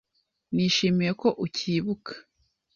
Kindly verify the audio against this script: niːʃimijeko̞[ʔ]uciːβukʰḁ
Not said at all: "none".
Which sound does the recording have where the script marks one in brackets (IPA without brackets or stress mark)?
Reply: ʔ